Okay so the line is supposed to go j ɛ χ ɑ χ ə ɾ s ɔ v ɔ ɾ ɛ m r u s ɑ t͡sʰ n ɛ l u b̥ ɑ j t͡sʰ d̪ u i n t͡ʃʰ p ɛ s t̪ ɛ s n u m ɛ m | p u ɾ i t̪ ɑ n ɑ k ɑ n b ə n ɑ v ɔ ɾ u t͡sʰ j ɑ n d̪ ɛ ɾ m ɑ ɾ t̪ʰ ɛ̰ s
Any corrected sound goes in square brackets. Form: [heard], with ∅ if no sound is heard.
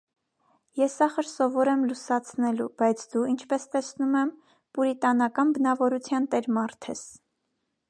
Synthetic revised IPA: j ɛ [s] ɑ χ ə ɾ s ɔ v ɔ ɾ ɛ m [l] u s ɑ t͡sʰ n ɛ l u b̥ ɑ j t͡sʰ d̪ u i n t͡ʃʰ p ɛ s t̪ ɛ s n u m ɛ m | p u ɾ i t̪ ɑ n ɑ k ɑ n b ə n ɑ v ɔ ɾ u t͡sʰ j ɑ n [t̪] ɛ ɾ m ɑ ɾ t̪ʰ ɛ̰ s

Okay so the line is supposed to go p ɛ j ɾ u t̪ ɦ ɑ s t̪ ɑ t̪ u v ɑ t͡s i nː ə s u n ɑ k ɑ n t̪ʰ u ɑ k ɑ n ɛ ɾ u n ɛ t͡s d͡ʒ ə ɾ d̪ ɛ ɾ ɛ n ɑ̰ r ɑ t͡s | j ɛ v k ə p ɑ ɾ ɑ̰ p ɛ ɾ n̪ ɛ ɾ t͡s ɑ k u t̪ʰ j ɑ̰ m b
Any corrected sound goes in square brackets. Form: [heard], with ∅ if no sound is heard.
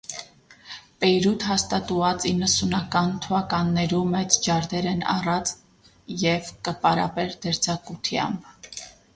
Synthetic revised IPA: p ɛ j ɾ u t̪ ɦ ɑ s t̪ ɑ t̪ u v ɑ t͡s i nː ə s u n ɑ k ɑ n t̪ʰ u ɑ k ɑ [nː] ɛ ɾ u [m] ɛ t͡s d͡ʒ [ɑ] ɾ d̪ ɛ ɾ ɛ n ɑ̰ r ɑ t͡s | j ɛ v k ə p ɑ ɾ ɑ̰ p ɛ ɾ [d̪] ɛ ɾ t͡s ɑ k u t̪ʰ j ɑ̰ m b

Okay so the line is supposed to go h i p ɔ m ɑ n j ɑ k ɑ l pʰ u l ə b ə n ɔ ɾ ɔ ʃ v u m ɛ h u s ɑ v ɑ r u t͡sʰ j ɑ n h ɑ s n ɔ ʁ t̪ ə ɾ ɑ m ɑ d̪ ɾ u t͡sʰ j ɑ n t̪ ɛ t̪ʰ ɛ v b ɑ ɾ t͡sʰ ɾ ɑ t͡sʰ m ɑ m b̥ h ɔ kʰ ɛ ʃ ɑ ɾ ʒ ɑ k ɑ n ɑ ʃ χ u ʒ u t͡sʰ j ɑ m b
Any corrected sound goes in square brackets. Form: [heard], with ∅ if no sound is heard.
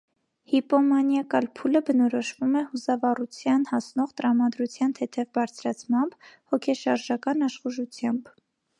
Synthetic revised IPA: h i p ɔ m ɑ n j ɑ k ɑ l pʰ u l ə b ə n ɔ ɾ ɔ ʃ v u m ɛ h u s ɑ v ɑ r u t͡sʰ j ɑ n h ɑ s n ɔ ʁ t̪ ə ɾ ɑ m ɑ d̪ ɾ u t͡sʰ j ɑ n [t̪ʰ] ɛ t̪ʰ ɛ v b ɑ ɾ t͡sʰ ɾ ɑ t͡sʰ m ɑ m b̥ h ɔ kʰ ɛ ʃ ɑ ɾ ʒ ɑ k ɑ n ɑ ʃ χ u ʒ u t͡sʰ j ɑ m b

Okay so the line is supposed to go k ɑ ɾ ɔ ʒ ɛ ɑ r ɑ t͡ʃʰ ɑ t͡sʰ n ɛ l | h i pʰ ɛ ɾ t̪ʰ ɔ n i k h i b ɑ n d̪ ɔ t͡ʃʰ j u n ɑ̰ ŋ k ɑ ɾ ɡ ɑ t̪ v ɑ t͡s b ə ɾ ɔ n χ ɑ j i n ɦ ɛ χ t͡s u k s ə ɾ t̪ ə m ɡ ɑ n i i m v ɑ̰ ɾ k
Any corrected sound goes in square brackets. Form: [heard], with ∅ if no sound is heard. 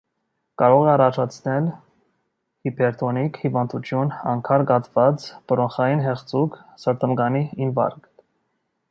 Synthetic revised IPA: k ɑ ɾ ɔ [ʁ] ɛ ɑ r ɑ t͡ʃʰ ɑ t͡sʰ n ɛ l | h i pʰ ɛ ɾ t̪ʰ ɔ n i k h i [v] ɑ n d̪ [u] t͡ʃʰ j u n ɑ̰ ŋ [kʰ] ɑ ɾ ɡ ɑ t̪ v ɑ t͡s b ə ɾ ɔ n χ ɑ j i n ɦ ɛ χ t͡s u k s ə ɾ t̪ ə m ɡ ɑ n i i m v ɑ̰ ɾ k

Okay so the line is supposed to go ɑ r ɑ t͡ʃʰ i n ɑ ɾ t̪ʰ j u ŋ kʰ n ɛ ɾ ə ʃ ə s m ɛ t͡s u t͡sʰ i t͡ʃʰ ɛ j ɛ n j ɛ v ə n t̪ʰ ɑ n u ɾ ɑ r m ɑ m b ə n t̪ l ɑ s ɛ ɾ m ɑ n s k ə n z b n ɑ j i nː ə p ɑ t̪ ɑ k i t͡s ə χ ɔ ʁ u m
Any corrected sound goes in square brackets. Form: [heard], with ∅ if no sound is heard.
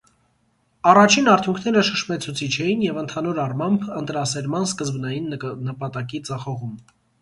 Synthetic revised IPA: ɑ r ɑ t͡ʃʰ i n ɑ ɾ t̪ʰ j u ŋ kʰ n ɛ ɾ ə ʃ ə [ʃ] m ɛ [t͡sʰ] u t͡sʰ i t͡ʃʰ ɛ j [i] n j ɛ v ə n t̪ʰ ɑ n u ɾ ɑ r m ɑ m b ə n t̪ [ɾ] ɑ s ɛ ɾ m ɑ n s k ə [∅] z b n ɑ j i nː ə p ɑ t̪ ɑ k i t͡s [ɑ] χ ɔ ʁ u m

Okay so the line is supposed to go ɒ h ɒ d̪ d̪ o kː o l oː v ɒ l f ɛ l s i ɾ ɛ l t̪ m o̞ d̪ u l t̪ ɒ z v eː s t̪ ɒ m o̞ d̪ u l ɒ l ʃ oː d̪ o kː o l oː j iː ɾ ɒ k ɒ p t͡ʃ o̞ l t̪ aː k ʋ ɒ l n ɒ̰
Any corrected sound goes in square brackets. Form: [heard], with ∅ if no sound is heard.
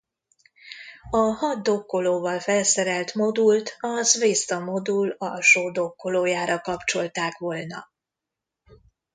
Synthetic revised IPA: ɒ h ɒ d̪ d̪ o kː o l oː v ɒ l f ɛ l s [ɛ] ɾ ɛ l t̪ m o̞ d̪ u l t̪ ɒ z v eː s t̪ ɒ m o̞ d̪ u l ɒ l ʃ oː d̪ o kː o l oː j [aː] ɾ ɒ k ɒ p t͡ʃ o̞ l t̪ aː k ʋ [o] l n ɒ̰

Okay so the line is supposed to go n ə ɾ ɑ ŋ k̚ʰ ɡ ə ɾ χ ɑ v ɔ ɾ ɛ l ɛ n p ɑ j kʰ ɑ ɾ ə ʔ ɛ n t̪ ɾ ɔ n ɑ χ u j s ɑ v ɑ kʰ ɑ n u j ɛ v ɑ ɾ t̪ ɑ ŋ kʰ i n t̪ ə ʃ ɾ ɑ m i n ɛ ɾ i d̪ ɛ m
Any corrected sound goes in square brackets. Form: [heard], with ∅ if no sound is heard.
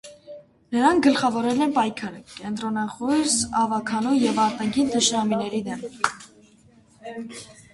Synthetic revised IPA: n ə ɾ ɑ ŋ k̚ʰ ɡ ə [l] χ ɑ v ɔ ɾ ɛ l ɛ n p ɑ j kʰ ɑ ɾ ə [k] ɛ n t̪ ɾ ɔ n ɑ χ u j s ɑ v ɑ kʰ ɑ n u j ɛ v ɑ ɾ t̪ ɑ ŋ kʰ i n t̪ ə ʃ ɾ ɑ m i n ɛ ɾ i d̪ ɛ m

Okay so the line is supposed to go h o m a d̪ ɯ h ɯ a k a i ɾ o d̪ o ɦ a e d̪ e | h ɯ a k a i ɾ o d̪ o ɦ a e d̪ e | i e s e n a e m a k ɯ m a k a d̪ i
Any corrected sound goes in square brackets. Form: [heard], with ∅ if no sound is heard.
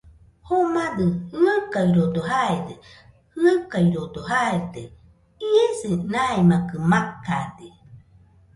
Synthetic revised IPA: h o m a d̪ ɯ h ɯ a k a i ɾ o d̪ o ɦ a e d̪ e | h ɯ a k a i ɾ o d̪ o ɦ a e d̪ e | i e s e n a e m a k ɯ m a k a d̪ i

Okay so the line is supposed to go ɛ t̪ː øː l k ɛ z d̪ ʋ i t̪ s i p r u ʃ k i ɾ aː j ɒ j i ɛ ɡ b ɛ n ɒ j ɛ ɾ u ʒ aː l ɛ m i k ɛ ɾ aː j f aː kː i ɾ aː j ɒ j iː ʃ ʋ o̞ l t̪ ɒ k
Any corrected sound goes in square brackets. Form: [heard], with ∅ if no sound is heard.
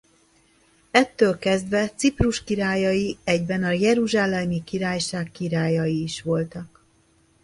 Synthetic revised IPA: ɛ t̪ː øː l k ɛ z d̪ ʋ [ɛ] t̪ s i p r u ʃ k i ɾ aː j ɒ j i ɛ [ɟ] b ɛ n ɒ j ɛ ɾ u ʒ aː l ɛ m i k [i] ɾ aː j [ʃ] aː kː i ɾ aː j ɒ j iː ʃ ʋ o̞ l t̪ ɒ k

